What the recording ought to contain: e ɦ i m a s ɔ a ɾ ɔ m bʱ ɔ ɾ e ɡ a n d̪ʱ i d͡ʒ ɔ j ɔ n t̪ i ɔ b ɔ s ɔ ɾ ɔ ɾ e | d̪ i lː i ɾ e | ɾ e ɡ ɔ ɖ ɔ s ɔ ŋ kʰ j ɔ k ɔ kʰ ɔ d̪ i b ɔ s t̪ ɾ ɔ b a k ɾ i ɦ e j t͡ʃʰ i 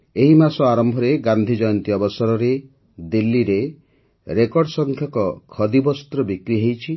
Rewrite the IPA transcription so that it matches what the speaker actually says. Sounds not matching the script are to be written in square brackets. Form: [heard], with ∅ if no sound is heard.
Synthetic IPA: e ɦ i m a s ɔ a ɾ ɔ m bʱ ɔ ɾ e ɡ a n d̪ʱ i d͡ʒ ɔ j ɔ n t̪ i ɔ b ɔ s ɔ ɾ ɔ ɾ e | d̪ i lː i ɾ e | ɾ e [k] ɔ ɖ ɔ s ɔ ŋ kʰ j ɔ k ɔ kʰ ɔ d̪ i b ɔ s t̪ ɾ ɔ b [i] k ɾ i ɦ e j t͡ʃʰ i